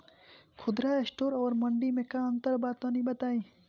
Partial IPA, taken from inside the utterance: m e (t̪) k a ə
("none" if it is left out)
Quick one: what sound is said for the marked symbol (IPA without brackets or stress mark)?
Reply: none